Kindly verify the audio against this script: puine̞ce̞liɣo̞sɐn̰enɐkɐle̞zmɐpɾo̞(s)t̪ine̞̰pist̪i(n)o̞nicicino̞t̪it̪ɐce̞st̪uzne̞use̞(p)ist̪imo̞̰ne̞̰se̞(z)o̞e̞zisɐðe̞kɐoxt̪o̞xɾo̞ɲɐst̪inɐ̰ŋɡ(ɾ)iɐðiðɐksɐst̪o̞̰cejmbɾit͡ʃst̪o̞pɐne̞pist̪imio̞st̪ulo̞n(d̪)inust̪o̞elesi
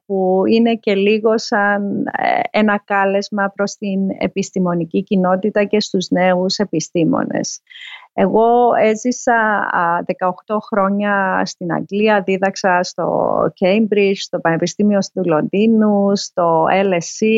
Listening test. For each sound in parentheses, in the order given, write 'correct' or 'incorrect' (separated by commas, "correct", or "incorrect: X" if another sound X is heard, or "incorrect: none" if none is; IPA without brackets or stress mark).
correct, incorrect: m, correct, incorrect: ɣ, incorrect: l, correct